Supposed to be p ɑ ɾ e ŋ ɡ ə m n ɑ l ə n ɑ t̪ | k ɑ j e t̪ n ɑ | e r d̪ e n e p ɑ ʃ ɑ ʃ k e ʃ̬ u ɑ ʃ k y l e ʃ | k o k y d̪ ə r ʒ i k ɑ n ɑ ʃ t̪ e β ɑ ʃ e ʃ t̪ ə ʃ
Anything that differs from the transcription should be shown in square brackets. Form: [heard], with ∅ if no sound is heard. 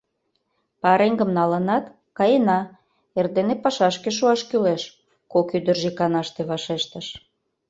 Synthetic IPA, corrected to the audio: p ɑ ɾ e ŋ ɡ ə m n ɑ l ə n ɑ t̪ | k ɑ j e [∅] n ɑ | e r d̪ e n e p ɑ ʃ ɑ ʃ k e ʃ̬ u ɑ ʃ k y l e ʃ | k o k y d̪ ə r ʒ i k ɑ n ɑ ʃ t̪ e β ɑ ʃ e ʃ t̪ ə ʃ

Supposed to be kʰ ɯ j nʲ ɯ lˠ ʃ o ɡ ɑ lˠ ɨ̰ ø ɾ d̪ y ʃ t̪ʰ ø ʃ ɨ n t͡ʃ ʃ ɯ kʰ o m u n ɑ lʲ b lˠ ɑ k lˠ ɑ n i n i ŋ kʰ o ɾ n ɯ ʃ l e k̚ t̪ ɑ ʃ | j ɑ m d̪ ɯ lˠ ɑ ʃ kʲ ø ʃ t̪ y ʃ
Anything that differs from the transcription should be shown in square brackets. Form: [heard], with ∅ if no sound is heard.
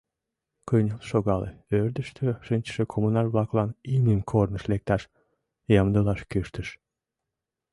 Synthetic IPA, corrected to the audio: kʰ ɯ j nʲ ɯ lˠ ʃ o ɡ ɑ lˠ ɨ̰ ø ɾ d̪ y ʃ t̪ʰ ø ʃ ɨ n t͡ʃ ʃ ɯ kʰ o m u n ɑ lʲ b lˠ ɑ k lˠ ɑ n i n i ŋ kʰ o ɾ n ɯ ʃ l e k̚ t̪ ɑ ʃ | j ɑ m d̪ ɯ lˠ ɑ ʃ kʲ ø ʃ t̪ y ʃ

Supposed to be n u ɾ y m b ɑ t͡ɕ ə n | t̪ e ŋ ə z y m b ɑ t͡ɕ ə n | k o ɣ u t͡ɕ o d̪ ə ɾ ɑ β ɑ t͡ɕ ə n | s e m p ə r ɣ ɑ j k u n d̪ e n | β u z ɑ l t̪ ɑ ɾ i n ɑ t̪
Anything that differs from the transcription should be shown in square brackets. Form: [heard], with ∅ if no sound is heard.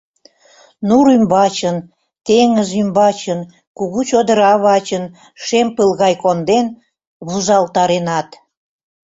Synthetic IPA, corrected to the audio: n u ɾ y m b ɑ t͡ɕ ə n | t̪ e ŋ ə z y m b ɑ t͡ɕ ə n | k [u] ɣ u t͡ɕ o d̪ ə ɾ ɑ β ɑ t͡ɕ ə n | [ʃ] e m p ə [l] ɣ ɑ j k [o] n d̪ e n | β u z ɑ l t̪ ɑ ɾ [e] n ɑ t̪

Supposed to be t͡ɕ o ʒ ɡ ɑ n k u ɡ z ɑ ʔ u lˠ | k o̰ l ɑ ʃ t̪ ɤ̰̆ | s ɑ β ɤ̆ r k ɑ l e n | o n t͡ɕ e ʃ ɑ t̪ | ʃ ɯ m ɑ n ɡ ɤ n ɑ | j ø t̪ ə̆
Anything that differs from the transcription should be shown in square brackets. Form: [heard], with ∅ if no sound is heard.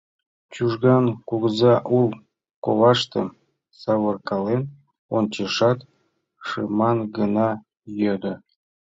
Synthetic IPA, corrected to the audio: t͡ɕ [u] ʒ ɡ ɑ n k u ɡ z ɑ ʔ u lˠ | k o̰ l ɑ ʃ t̪ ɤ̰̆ | s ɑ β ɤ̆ r k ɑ l e n | o n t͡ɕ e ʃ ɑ t̪ | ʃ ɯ m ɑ n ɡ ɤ n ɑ | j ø [d̪] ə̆

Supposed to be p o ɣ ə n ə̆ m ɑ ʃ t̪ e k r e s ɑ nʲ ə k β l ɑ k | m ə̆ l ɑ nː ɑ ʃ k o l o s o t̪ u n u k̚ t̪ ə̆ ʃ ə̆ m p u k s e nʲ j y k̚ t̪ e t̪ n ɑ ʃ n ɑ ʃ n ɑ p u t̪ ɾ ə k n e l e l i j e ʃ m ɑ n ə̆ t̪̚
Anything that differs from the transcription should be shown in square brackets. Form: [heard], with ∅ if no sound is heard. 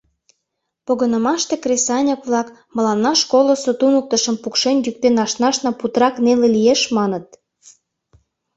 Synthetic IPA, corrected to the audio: p o ɣ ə n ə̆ m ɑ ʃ t̪ e k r e s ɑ nʲ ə k β l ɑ k | m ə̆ l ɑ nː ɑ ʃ k o l o s o t̪ u n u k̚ t̪ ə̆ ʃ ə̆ m p u k [ʃ] e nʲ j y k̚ t̪ e [∅] n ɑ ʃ n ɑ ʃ n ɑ p u t̪ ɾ [ɑ] k n e l e l i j e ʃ m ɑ n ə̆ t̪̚

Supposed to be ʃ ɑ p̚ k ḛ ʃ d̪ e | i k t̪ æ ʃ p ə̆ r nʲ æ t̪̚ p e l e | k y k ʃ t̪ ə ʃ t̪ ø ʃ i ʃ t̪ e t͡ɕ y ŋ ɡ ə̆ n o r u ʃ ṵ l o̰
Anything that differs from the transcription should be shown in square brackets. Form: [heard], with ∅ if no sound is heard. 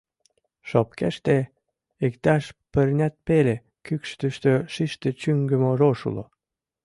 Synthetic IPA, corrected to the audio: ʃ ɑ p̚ k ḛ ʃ [t̪] e | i k t̪ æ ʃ p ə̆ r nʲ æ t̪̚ p e l e | k y k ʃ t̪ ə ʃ t̪ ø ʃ i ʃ t̪ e t͡ɕ y ŋ ɡ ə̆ [m] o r [o] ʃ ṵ l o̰

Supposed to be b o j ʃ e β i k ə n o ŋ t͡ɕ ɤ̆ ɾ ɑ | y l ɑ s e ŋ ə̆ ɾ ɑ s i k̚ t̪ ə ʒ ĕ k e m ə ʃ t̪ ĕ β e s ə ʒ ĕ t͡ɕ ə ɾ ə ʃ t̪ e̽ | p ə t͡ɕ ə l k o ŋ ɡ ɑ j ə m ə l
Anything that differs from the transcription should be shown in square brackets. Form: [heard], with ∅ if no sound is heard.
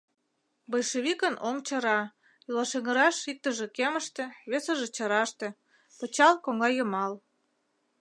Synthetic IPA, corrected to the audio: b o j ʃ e β i k ə n o ŋ t͡ɕ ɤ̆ ɾ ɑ | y l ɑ [ʃ] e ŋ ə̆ ɾ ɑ [ʃ] i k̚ t̪ ə ʒ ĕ k e m ə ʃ t̪ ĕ β e s ə ʒ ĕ t͡ɕ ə ɾ [ɑ] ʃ t̪ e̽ | p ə t͡ɕ [ɑ] l k o ŋ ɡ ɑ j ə m [ɑ] l

